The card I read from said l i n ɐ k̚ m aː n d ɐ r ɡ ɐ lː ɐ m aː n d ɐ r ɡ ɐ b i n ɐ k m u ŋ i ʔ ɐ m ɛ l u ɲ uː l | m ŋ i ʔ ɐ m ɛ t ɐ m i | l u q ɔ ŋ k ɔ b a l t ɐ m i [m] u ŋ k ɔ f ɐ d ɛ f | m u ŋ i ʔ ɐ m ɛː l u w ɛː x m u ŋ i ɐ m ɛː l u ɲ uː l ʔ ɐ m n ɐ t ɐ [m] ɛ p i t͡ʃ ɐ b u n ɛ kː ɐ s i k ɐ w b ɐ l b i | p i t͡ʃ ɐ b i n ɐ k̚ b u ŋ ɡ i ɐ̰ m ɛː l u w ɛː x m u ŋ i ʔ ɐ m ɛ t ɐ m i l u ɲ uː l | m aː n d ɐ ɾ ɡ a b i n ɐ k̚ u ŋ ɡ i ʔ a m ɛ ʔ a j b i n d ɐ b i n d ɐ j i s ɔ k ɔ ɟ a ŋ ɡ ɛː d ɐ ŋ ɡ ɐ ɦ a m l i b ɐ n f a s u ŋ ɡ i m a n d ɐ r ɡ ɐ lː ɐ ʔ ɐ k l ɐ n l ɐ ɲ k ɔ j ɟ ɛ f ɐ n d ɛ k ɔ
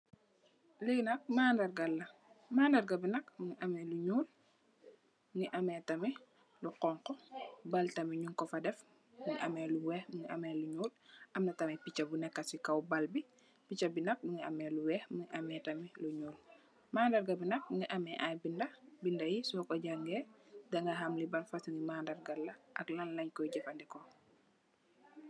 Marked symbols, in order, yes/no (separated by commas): no, yes